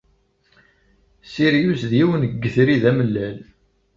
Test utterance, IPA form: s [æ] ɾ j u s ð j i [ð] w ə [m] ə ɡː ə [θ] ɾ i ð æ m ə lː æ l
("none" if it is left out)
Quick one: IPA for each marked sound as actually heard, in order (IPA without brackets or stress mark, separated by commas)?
i, none, n, θ